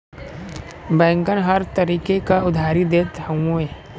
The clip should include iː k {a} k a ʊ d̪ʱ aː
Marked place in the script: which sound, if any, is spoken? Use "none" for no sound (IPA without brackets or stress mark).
e